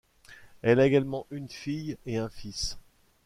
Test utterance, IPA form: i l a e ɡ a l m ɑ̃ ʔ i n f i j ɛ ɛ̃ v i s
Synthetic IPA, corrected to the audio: ɛ l a e ɡ a l m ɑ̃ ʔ y n f i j e ɛ̃ f i s